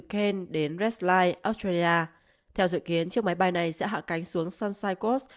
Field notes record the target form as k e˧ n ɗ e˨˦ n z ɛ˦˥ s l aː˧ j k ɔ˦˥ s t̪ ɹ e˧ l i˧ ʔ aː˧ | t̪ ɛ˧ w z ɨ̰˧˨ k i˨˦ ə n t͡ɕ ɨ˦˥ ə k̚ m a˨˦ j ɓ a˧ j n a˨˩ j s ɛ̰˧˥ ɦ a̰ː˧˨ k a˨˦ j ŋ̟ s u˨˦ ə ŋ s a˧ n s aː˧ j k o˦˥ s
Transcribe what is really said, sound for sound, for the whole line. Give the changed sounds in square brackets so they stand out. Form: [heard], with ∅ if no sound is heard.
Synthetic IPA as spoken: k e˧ n ɗ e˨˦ n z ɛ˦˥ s l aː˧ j [ʔ] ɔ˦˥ s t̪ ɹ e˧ l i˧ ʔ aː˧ | [t̪ʰ] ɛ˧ w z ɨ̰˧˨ k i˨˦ ə n t͡ɕ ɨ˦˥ ə k̚ m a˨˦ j ɓ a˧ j n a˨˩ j s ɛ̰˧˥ ɦ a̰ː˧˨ k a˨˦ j ŋ̟ s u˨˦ ə ŋ s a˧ n s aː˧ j k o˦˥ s